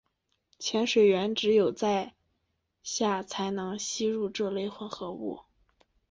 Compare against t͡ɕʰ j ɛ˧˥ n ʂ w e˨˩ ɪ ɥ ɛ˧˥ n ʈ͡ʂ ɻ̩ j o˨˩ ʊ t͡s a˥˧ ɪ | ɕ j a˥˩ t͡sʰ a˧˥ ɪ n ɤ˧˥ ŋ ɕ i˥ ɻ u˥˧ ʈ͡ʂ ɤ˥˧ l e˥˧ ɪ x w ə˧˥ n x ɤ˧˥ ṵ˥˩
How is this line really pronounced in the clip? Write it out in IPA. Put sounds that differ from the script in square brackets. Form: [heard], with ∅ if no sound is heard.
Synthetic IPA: t͡ɕʰ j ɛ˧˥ n ʂ w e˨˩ ɪ ɥ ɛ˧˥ n ʈ͡ʂ ɻ̩ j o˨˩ ʊ t͡s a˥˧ ɪ | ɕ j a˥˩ t͡sʰ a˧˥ ɪ n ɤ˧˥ ŋ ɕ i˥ ɻ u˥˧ ʈ͡ʂ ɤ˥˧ l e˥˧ ɪ x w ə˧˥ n x ɤ˧˥ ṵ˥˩